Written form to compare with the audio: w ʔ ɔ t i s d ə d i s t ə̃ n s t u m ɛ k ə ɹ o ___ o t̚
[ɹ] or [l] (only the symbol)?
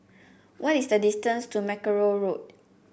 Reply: ɹ